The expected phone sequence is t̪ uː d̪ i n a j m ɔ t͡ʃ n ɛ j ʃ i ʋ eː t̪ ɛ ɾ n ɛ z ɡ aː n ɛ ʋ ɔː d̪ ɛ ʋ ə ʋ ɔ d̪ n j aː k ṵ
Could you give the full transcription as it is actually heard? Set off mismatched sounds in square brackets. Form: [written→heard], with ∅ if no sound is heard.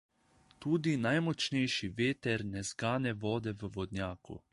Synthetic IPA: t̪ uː d̪ i n a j m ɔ t͡ʃ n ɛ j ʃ i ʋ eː t̪ ɛ ɾ n ɛ z ɡ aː n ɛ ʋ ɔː d̪ ɛ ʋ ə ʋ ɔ d̪ n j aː k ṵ